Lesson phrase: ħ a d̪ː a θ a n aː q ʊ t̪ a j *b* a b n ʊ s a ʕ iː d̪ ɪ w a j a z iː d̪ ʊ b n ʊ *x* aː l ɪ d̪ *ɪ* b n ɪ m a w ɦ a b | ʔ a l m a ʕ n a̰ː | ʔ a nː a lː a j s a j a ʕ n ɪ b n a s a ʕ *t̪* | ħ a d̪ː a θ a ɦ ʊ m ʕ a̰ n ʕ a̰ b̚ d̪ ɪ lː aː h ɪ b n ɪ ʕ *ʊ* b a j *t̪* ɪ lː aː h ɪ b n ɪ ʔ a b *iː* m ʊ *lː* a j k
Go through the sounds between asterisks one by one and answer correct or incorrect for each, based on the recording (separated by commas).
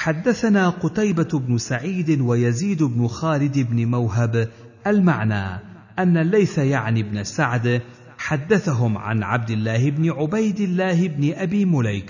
correct, correct, correct, incorrect, correct, incorrect, correct, incorrect